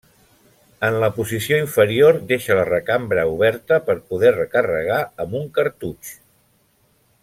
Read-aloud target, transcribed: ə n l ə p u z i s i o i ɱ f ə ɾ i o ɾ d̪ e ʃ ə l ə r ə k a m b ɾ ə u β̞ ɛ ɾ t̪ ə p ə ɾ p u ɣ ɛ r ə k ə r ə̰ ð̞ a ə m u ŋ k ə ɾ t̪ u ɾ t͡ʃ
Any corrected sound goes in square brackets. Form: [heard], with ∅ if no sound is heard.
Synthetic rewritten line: ə n l ə p u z i s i o i ɱ f ə ɾ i o ɾ d̪ e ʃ ə l ə r ə k a m b ɾ ə u β̞ ɛ ɾ t̪ ə p ə ɾ p u [ð] ɛ r ə k ə r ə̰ [ɣ̞] a ə m u ŋ k ə ɾ t̪ u [∅] t͡ʃ